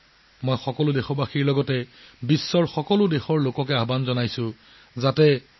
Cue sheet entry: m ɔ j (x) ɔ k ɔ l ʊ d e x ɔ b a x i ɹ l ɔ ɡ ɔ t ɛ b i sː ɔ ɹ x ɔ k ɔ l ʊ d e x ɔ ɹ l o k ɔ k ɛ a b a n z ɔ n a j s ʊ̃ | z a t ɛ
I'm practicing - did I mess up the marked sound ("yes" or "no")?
no